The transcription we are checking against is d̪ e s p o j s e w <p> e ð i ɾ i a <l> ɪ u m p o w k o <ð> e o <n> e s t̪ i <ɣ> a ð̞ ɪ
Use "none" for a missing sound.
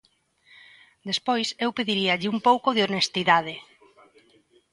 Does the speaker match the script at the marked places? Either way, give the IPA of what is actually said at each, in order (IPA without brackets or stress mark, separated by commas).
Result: p, ʎ, ð, n, ð